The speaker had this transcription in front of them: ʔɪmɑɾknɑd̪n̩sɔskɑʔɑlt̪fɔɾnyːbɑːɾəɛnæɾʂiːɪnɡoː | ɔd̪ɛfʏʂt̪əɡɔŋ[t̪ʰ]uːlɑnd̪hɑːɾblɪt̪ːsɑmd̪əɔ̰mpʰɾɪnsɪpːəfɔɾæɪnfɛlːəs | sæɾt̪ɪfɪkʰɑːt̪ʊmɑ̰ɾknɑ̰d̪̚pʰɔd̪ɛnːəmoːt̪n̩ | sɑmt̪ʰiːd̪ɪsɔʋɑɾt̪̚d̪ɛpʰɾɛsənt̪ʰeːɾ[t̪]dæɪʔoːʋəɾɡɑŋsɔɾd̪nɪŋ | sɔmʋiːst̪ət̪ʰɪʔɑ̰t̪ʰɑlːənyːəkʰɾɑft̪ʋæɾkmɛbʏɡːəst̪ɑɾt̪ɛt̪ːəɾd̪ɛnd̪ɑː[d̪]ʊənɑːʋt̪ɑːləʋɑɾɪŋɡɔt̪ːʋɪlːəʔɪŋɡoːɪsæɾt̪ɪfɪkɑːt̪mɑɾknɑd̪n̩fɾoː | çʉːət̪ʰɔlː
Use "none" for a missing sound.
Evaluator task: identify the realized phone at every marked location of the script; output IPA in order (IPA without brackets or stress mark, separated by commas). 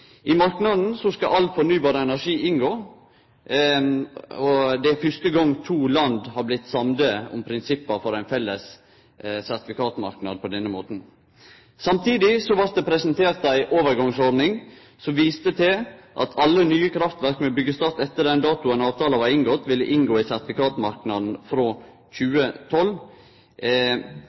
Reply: t̪ʰ, t̪, t̪